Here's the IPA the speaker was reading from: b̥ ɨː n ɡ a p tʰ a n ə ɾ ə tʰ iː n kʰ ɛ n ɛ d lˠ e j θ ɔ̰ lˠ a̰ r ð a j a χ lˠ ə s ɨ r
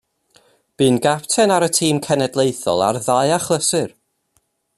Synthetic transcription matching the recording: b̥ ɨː n ɡ a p tʰ ɛ n a ɾ ə tʰ iː m kʰ ɛ n ɛ d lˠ e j θ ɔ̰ lˠ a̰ r ð a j a χ lˠ ə s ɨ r